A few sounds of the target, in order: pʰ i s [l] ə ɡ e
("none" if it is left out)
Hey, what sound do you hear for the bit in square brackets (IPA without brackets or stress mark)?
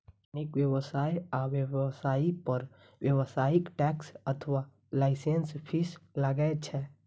l